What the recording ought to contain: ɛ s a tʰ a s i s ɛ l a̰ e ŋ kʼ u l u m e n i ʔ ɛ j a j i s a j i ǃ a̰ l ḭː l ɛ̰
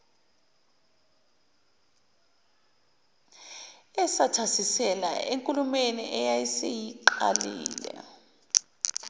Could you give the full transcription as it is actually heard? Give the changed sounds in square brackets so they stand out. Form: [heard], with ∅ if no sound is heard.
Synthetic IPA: ɛ s a tʰ a s i s ɛ l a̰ e ŋ kʼ u l u m e n i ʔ ɛ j a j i s [e] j i ǃ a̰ l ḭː l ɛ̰